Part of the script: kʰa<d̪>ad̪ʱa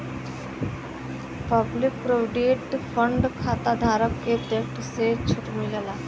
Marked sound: incorrect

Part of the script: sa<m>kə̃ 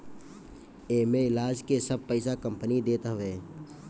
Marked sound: incorrect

